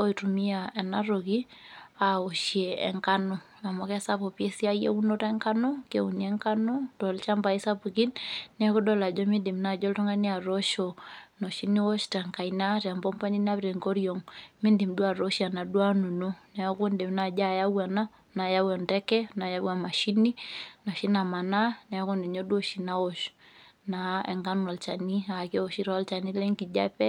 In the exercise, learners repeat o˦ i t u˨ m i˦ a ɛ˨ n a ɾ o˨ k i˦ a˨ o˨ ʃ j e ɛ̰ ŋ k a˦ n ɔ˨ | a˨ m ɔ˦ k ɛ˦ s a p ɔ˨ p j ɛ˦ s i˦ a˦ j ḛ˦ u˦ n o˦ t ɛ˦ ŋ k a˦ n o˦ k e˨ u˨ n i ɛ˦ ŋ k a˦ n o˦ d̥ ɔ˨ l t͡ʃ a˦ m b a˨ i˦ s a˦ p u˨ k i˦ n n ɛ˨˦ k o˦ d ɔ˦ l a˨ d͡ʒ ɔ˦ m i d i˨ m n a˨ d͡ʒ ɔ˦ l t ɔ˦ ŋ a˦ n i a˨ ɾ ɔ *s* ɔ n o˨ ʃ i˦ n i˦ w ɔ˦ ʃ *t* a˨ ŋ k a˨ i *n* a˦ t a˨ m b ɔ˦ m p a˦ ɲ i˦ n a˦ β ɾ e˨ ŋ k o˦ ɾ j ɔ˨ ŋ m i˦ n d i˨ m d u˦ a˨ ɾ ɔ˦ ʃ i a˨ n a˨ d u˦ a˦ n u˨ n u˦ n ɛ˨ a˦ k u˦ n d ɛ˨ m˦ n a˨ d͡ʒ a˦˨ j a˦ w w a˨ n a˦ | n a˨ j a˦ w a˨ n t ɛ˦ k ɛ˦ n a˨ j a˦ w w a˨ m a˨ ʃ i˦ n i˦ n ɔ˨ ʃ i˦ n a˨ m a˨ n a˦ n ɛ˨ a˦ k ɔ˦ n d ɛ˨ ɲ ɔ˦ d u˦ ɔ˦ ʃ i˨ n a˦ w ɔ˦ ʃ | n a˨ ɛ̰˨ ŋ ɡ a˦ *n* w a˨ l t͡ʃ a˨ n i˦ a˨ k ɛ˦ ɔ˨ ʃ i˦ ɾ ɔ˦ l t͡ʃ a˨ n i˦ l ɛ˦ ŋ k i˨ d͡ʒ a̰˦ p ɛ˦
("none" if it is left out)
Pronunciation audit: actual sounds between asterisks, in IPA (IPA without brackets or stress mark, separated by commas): ʃ, t, n, n